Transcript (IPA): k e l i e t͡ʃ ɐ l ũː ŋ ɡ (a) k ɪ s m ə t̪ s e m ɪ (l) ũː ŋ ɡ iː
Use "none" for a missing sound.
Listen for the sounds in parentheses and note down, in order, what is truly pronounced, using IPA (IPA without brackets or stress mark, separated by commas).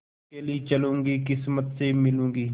i, l